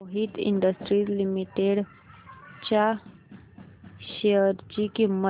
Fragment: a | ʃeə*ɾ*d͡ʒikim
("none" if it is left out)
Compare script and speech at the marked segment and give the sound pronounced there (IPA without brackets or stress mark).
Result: ɾ